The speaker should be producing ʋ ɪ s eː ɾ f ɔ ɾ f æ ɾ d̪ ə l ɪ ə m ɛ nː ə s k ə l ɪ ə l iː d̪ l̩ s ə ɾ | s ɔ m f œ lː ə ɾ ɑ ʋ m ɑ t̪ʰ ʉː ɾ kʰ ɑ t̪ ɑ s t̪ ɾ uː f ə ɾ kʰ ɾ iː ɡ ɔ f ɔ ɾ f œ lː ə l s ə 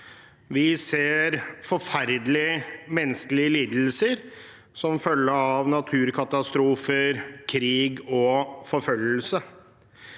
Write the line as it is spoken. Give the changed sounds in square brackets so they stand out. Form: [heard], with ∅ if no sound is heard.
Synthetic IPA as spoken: ʋ ɪ s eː ɾ f ɔ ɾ f æ ɾ d̪ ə l ɪ ə m ɛ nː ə s k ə l ɪ ə l iː d̪ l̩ s ə ɾ | s ɔ m f œ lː ə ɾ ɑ ʋ [n] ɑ t̪ʰ ʉː ɾ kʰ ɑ t̪ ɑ s t̪ ɾ uː f ə ɾ kʰ ɾ iː ɡ ɔ f ɔ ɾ f œ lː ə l s ə